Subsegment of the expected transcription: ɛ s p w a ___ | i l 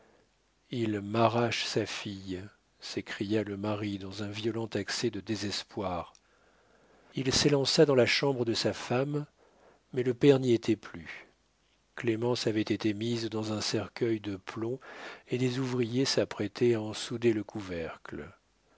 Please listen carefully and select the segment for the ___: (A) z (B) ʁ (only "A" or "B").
B